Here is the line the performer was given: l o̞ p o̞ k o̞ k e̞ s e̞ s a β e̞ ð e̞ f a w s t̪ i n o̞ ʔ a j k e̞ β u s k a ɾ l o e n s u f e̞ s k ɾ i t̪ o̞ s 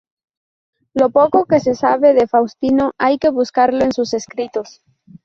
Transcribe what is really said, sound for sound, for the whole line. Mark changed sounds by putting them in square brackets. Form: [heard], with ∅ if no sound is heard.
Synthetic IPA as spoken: l o̞ p o̞ k o̞ k e̞ s e̞ s a β e̞ ð e̞ f a w s t̪ i n o̞ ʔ a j k e̞ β u s k a ɾ l o e n s u [s] e̞ s k ɾ i t̪ o̞ s